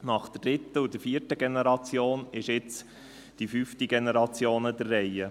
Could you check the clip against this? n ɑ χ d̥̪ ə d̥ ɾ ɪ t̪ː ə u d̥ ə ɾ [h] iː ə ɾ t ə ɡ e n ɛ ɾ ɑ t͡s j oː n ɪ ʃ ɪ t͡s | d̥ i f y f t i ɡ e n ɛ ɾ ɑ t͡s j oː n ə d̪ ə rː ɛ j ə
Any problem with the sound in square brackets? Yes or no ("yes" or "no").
yes